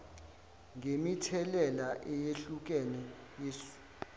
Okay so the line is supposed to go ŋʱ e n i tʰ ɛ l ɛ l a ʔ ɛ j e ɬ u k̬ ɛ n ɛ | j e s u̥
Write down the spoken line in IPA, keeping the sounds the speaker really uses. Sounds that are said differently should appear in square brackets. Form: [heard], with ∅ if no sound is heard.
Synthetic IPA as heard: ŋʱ e [m] i tʰ ɛ l ɛ l a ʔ ɛ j e ɬ u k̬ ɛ n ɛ | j e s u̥